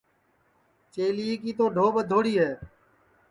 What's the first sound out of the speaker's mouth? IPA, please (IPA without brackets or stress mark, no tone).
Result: t͡ʃ